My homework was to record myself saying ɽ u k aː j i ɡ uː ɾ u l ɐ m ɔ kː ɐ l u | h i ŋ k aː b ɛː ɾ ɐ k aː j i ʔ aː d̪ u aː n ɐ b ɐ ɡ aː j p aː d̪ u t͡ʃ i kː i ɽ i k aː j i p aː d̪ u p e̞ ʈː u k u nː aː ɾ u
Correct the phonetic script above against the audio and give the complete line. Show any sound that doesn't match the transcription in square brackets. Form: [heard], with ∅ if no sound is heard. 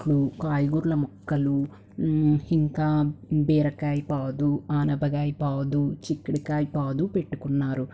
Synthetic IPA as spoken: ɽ u k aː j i ɡ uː ɾ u l ɐ m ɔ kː ɐ l u | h i ŋ k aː b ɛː ɾ ɐ k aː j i [p] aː d̪ u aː n ɐ b ɐ ɡ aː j p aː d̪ u t͡ʃ i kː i ɽ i k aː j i p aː d̪ u p e̞ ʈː u k u nː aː ɾ u